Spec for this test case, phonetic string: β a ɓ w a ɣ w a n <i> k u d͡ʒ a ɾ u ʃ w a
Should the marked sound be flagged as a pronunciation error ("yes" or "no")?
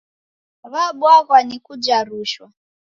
no